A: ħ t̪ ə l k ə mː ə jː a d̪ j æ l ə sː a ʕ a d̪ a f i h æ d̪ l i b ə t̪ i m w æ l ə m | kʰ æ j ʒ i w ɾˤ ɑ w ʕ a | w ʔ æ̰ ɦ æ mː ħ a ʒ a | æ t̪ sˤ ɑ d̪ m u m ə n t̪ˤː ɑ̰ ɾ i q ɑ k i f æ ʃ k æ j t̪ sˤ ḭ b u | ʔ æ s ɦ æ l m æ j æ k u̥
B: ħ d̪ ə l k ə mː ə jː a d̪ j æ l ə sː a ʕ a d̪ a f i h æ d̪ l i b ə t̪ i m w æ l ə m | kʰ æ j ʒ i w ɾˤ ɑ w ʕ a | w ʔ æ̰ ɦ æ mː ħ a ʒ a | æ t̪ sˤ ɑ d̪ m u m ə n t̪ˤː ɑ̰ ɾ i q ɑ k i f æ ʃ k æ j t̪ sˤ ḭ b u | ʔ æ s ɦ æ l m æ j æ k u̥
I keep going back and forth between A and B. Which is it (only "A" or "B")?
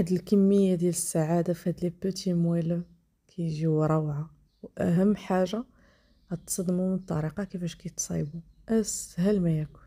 B